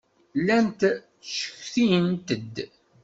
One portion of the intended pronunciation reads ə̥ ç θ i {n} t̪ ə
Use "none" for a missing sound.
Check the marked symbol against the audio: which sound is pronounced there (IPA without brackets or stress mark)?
n